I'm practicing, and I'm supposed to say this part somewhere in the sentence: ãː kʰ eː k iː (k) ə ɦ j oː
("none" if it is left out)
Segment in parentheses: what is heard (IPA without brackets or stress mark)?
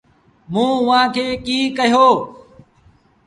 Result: k